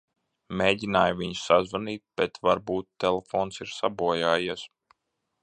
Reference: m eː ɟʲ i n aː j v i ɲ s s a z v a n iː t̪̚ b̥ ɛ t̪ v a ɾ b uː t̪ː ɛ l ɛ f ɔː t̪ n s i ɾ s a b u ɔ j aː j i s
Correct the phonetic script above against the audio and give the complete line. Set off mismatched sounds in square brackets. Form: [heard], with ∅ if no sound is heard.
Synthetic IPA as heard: m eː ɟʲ i n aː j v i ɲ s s a z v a n iː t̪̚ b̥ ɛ t̪ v a ɾ b uː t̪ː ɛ l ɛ f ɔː [∅] n s i ɾ s a b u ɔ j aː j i s